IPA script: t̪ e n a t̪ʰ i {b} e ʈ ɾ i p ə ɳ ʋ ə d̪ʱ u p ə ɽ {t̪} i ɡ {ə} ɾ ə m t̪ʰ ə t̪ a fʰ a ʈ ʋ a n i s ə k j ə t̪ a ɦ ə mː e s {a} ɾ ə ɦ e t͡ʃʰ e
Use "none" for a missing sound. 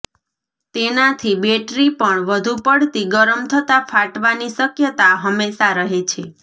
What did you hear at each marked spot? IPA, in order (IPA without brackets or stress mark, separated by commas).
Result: b, t̪, ə, a